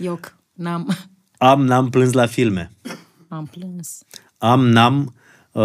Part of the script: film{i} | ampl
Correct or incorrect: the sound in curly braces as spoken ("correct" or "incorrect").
incorrect